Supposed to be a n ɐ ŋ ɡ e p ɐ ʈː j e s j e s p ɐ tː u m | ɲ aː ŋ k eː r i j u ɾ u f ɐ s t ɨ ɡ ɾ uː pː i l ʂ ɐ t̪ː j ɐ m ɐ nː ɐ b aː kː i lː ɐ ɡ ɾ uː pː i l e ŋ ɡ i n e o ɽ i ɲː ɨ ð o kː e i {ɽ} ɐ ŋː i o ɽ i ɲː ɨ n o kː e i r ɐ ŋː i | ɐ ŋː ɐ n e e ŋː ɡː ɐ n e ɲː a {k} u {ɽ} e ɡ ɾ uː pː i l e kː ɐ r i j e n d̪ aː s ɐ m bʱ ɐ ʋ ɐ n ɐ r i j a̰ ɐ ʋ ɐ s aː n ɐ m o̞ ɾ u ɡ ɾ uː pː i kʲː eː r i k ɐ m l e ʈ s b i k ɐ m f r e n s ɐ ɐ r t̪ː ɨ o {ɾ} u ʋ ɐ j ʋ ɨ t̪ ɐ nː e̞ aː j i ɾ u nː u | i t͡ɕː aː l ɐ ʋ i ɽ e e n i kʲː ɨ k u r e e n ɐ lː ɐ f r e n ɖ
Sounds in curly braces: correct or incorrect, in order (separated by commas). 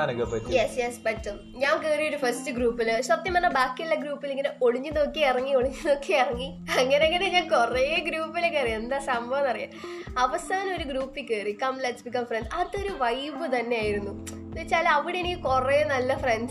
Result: incorrect, correct, incorrect, correct